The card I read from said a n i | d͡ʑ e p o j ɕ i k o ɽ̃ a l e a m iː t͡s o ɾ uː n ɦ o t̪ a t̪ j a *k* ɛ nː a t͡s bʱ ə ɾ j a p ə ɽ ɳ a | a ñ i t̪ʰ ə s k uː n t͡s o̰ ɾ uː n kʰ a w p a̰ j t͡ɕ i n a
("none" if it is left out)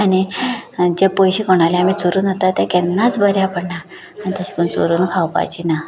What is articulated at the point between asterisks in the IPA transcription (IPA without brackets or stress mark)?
k